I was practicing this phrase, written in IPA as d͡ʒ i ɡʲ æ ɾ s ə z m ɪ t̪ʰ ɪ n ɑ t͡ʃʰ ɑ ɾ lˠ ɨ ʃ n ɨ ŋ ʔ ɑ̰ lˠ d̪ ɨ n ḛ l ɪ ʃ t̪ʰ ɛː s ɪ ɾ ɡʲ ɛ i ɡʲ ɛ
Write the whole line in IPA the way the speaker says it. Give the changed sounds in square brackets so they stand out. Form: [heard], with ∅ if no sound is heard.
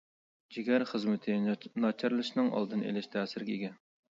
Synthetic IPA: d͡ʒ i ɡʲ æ ɾ [χ] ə z m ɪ t̪ʰ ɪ n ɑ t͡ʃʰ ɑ ɾ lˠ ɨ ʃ n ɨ ŋ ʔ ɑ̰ lˠ d̪ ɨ n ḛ l ɪ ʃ t̪ʰ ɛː s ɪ ɾ ɡʲ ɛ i ɡʲ ɛ